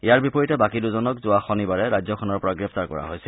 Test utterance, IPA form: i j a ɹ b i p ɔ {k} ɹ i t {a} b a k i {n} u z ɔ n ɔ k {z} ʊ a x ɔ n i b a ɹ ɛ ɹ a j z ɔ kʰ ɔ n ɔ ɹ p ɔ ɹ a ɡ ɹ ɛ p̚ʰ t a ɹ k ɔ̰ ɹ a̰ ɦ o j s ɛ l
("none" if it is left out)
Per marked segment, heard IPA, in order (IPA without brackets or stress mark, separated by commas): none, ɛ, d, z